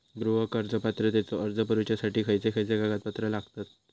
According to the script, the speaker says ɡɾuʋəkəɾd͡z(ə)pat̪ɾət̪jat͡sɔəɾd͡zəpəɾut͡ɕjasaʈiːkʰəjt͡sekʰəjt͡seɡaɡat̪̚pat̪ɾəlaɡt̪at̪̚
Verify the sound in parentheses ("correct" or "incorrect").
correct